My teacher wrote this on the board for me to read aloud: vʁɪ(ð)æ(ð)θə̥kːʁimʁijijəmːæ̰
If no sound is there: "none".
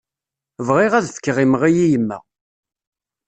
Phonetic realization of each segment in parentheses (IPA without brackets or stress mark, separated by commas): ʁ, ð